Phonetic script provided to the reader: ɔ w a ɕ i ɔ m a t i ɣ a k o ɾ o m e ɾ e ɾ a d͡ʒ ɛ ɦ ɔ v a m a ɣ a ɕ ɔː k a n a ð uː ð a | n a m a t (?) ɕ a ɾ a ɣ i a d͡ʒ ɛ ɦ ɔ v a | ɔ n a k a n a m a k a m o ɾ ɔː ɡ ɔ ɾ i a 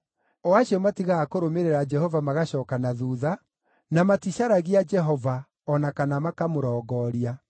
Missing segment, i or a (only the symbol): i